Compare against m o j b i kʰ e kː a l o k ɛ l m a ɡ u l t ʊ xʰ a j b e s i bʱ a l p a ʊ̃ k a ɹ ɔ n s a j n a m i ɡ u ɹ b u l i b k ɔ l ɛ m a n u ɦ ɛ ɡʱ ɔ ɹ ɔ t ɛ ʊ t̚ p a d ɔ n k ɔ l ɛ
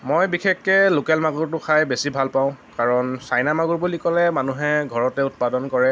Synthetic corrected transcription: m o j b i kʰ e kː ɛ l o k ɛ l m a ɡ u ɹ t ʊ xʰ a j b e s i bʱ a l p a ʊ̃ k a ɹ ɔ n s a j n a m a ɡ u ɹ b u l i k ɔ l ɛ m a n u ɦ ɛ ɡʱ ɔ ɹ ɔ t ɛ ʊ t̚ p a d ɔ n k ɔ ɹ ɛ